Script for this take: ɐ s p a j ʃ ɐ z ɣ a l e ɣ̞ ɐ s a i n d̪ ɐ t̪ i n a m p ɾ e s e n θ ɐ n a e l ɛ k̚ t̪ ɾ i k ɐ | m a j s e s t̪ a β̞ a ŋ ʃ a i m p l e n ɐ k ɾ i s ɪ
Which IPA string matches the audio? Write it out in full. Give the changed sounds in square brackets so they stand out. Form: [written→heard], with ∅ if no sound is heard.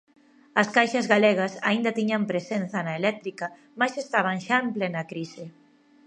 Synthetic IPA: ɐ s [p→k] a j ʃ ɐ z ɣ a l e ɣ̞ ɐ s a i n d̪ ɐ t̪ i [n→ɲ] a m p ɾ e s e n θ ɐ n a e l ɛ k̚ t̪ ɾ i k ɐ | m a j s e s t̪ a β̞ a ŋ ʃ a [i→e] m p l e n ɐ k ɾ i s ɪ